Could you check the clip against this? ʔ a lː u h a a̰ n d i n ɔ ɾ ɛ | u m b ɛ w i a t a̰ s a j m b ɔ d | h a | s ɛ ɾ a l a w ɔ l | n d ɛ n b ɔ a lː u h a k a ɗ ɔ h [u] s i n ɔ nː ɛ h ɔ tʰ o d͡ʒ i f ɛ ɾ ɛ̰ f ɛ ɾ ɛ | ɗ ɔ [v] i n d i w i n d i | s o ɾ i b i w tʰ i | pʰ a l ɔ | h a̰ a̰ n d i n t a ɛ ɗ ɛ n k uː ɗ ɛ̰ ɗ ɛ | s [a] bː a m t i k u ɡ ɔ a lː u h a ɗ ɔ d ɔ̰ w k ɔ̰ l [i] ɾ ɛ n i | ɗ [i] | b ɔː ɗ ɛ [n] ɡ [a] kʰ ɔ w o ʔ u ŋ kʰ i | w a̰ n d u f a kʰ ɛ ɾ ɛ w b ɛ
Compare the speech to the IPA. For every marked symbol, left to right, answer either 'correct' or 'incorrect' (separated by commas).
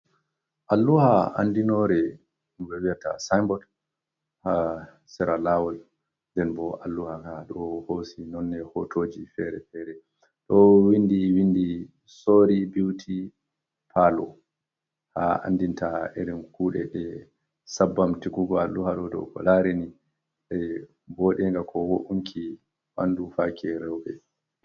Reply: incorrect, incorrect, correct, incorrect, incorrect, incorrect, correct